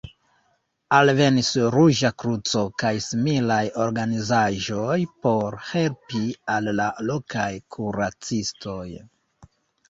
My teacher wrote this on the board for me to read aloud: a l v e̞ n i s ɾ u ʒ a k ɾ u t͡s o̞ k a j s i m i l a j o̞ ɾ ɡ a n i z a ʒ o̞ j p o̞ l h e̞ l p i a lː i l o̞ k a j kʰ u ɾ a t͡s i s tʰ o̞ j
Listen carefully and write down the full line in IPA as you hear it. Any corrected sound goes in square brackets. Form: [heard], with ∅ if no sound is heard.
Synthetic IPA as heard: a l v e̞ n i s ɾ u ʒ a k ɾ u t͡s o̞ k a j s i m i l a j o̞ ɾ ɡ a n i z a ʒ o̞ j p o̞ [ɾ] h e̞ l p i a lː [a] l o̞ k a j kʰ u ɾ a t͡s i s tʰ o̞ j

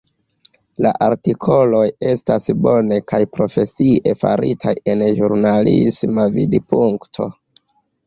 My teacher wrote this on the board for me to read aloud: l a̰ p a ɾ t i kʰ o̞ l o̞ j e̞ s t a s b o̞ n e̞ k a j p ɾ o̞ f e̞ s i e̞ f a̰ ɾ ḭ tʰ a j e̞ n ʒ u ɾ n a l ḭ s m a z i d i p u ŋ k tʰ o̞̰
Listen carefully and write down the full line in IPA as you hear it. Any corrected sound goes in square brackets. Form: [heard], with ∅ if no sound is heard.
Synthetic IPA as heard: l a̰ [ʔ] a ɾ t i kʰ o̞ l o̞ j e̞ s t a s b o̞ n e̞ k a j p ɾ o̞ f e̞ s i e̞ f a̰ ɾ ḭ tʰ a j e̞ n ʒ u ɾ n a l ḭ s m a [v] i d i p u ŋ k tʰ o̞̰

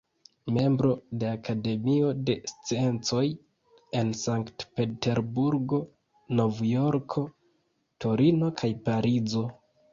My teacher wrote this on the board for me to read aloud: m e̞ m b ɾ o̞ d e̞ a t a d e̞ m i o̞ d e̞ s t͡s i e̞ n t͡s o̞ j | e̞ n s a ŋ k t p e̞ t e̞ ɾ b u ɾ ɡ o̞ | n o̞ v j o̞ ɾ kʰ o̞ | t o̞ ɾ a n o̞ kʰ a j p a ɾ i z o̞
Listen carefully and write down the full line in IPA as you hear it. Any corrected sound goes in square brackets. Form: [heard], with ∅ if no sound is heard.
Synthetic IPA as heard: m e̞ m b ɾ o̞ d e̞ a [k] a d e̞ m i o̞ d e̞ s t͡s i e̞ n t͡s o̞ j | e̞ n s a ŋ k t p e̞ t e̞ ɾ b u ɾ ɡ o̞ | n o̞ v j o̞ ɾ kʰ o̞ | t o̞ ɾ [i] n o̞ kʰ a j p a ɾ i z o̞

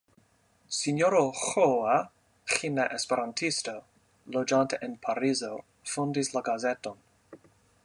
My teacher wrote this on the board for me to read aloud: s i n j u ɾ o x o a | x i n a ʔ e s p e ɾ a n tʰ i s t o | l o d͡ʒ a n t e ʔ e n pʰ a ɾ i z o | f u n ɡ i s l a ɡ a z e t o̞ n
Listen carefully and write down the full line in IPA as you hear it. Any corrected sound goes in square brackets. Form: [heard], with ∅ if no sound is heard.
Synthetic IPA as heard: s i n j [o] ɾ o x o a | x i n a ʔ e s p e ɾ a n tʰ i s t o | l o d͡ʒ a n t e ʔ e n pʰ a ɾ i z o | f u n [d] i s l a ɡ a z e t o̞ n

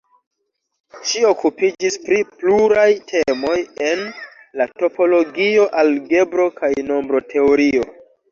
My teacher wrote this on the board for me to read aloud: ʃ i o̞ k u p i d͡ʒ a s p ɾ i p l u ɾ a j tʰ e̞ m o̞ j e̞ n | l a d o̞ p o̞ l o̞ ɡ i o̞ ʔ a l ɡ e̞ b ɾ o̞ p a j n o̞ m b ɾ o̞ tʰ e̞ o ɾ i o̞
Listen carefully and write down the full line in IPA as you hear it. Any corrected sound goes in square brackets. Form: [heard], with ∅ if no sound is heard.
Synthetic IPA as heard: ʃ i o̞ k u p i d͡ʒ [i] s p ɾ i p l u ɾ a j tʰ e̞ m o̞ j e̞ n | l a [t] o̞ p o̞ l o̞ ɡ i o̞ ʔ a l ɡ e̞ b ɾ o̞ [k] a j n o̞ m b ɾ o̞ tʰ e̞ o ɾ i o̞

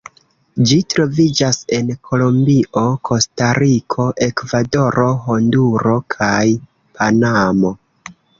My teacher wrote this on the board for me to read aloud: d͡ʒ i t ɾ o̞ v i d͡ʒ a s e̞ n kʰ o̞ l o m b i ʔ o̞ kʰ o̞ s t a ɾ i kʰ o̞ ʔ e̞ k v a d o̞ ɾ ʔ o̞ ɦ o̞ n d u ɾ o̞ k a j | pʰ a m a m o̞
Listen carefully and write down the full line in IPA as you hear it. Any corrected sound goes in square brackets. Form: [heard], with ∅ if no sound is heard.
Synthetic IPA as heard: d͡ʒ i t ɾ o̞ v i d͡ʒ a s e̞ n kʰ o̞ l o m b i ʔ o̞ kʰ o̞ s t a ɾ i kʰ o̞ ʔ e̞ k v a d o̞ ɾ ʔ o̞ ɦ o̞ n d u ɾ o̞ [kʰ] a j | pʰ a [n] a m o̞

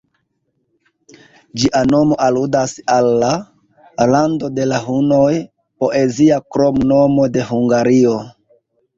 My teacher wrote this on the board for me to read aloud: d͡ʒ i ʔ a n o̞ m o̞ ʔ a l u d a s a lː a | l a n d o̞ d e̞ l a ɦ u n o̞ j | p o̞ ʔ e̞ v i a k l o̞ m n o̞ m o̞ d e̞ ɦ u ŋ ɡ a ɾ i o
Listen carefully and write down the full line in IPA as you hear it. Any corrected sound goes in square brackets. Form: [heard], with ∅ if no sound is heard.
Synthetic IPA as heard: d͡ʒ i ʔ a n o̞ m o̞ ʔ a l u d a s a lː a | l a n d o̞ d e̞ l a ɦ u n o̞ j | p o̞ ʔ e̞ [z] i a k [ɾ] o̞ m n o̞ m o̞ d e̞ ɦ u ŋ ɡ a ɾ i o

